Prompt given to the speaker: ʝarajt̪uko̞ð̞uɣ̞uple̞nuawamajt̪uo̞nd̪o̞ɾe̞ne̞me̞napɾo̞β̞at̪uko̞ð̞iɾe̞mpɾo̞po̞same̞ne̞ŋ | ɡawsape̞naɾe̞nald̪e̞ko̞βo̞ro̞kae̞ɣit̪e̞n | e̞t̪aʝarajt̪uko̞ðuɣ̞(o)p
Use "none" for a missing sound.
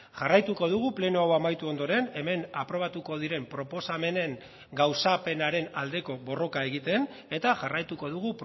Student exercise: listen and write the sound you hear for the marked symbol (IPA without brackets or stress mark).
u